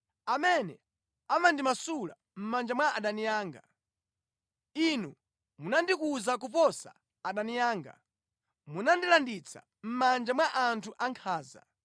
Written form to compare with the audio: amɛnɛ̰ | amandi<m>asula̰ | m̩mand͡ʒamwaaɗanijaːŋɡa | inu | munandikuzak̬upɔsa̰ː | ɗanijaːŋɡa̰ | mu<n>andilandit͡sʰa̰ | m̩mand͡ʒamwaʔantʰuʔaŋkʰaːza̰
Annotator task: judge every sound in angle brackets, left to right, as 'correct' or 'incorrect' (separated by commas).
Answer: correct, correct